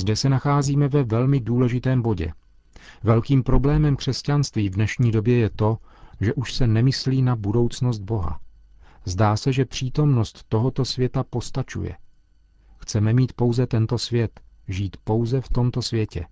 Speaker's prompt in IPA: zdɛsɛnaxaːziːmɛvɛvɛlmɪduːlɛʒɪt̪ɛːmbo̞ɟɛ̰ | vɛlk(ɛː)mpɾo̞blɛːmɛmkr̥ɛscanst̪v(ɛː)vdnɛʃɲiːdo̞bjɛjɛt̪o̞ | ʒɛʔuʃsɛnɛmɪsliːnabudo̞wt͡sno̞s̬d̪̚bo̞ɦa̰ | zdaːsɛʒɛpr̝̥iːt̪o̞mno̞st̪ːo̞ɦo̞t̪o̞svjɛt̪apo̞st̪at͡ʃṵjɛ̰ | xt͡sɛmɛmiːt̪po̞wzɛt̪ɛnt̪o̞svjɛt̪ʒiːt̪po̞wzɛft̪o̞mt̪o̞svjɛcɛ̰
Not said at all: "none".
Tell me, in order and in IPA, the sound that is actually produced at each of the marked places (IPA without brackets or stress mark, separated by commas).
iː, iː